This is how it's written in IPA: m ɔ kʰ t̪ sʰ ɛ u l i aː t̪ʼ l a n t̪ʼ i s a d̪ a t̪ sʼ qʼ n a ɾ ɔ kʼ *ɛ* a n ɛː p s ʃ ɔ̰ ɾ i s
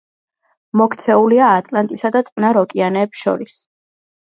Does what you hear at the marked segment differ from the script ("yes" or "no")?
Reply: yes